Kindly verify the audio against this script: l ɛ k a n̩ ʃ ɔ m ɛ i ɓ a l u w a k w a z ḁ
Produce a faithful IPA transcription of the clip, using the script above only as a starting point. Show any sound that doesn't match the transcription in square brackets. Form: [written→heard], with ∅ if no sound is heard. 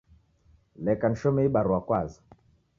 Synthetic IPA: l ɛ k a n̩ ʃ ɔ m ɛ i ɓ a [l→ɾ] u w a k w a z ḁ